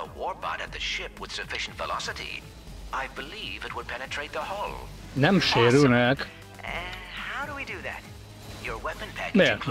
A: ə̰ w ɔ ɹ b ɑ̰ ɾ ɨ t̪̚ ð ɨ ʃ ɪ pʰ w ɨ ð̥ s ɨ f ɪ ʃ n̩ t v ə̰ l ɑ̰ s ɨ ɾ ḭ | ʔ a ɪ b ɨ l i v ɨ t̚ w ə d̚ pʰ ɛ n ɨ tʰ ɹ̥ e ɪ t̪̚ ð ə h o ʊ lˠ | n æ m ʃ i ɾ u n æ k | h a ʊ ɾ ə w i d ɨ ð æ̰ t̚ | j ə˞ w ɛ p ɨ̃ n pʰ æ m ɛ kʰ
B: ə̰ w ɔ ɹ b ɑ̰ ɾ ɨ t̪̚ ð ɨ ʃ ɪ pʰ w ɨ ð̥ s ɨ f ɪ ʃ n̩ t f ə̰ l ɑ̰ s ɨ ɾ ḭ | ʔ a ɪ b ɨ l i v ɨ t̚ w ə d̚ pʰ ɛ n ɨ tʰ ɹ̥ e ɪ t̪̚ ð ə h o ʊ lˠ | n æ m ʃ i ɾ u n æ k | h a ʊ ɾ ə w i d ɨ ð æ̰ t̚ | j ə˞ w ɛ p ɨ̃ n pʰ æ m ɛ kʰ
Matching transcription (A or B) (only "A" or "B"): A